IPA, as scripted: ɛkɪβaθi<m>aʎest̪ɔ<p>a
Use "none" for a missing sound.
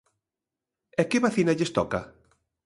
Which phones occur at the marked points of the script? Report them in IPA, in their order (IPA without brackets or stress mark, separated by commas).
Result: n, k